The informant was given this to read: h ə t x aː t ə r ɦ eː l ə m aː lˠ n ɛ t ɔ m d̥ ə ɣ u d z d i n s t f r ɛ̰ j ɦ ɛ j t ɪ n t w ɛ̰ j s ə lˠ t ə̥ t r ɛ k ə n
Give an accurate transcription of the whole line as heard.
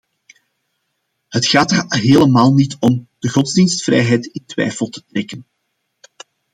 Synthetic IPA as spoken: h ə t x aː t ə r ɦ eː l ə m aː lˠ n i t ɔ m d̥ ə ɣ ɔ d z d i n s t f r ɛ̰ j ɦ ɛ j t ɪ n t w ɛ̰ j f ə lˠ t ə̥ t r ɛ k ə n

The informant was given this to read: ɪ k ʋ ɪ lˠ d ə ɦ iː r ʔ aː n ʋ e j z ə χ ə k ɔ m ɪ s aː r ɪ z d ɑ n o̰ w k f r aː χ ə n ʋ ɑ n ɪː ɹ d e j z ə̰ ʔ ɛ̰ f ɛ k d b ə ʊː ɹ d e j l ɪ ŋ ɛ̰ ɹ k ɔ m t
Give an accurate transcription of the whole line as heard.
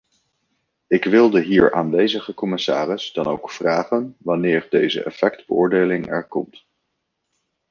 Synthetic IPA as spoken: ɪ k ʋ ɪ lˠ d ə ɦ iː ɹ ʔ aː n ʋ e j z ə χ ə k ɔ m ɪ s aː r ɪ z d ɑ n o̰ w k f r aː χ ə n ʋ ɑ n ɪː ɹ d e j z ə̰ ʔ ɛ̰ f ɛ k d b ə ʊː ɹ d e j l ɪ ŋ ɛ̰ ɹ k ɔ m t

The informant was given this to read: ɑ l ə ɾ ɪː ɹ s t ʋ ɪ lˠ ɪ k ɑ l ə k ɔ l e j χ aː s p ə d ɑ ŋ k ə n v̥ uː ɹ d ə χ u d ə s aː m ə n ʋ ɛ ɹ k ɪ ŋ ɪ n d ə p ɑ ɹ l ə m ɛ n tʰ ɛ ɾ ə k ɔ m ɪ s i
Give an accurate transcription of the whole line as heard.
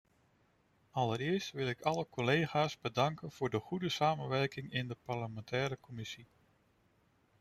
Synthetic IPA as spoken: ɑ l ə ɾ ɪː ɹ s t ʋ ɪ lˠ ɪ k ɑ l ə k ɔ l e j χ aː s b ə d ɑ ŋ k ə n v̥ ʊː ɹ d ə χ u d ə s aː m ə n ʋ ɛ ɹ k ɪ ŋ ɪ n d ə p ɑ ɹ l ə m ɛ n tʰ ɛː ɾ ə k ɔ m ɪ s i

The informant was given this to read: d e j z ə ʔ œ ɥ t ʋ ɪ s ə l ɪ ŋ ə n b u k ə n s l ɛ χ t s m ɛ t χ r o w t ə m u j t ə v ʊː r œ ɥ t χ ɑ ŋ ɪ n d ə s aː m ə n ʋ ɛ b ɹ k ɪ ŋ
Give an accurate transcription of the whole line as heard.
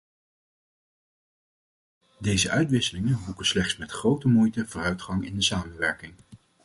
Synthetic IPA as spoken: d e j z ə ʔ œ ɥ t ʋ ɪ s ə l ɪ ŋ ə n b u k ə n s l ɛ χ t s m ɛ t χ r o w t ə m u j t ə v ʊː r œ ɥ t χ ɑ ŋ ɪ n d ə s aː m ə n ʋ ɛ ɹ k ɪ ŋ

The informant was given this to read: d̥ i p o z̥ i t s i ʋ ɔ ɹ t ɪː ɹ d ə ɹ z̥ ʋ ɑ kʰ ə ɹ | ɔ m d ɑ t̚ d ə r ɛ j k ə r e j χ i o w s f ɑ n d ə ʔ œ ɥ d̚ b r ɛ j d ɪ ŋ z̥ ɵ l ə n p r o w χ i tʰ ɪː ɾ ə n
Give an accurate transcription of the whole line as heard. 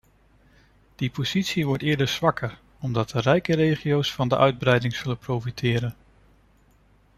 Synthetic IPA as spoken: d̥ i p o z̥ i t s i ʋ ɔ ɹ t ɪː ɹ d ə ɹ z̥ ʋ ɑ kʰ ə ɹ | ɔ m d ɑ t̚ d ə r ɛ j k ə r e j χ i o w s f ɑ n d ə ʔ œ ɥ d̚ b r ɛ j d ɪ ŋ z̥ ɵ l ə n p r o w f i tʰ ɪː ɾ ə n

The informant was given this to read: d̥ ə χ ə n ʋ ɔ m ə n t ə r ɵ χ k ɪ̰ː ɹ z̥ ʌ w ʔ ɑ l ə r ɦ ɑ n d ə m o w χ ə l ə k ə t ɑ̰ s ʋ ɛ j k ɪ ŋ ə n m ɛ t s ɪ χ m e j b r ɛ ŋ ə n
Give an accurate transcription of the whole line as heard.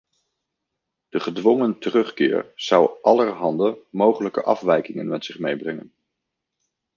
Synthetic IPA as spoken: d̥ ə χ ə d ʋ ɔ ŋ ə n t ə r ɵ χ k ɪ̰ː ɹ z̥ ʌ w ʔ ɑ l ə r ɦ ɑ n d ə m o w χ ə l ə k ə ʔ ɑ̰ f ʋ ɛ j k ɪ ŋ ə n m ɛ t s ɪ χ m e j b r ɛ ŋ ə n

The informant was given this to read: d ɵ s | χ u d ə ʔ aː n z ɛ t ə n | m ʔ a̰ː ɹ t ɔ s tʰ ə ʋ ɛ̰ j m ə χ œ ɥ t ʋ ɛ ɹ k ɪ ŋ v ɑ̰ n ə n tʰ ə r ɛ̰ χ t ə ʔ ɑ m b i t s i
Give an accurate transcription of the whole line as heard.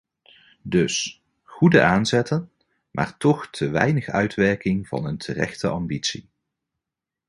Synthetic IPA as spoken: d ɵ s | χ u d ə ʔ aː n z ɛ t ə n | m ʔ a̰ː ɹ t ɔ χ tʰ ə ʋ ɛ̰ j n ə χ œ ɥ t ʋ ɛ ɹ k ɪ ŋ v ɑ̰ n ə n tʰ ə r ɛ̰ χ t ə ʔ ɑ m b i t s i

